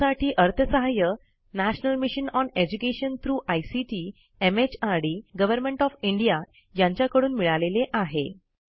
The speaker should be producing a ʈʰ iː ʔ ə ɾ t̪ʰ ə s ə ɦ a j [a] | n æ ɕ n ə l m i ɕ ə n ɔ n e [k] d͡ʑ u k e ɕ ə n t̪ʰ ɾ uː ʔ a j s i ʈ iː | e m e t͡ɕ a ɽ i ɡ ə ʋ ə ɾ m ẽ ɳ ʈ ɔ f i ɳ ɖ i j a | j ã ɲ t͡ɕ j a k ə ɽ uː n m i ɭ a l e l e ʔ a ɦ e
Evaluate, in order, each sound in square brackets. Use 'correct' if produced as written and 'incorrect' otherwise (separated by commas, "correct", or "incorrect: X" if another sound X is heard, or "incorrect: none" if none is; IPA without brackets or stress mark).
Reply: incorrect: ə, incorrect: none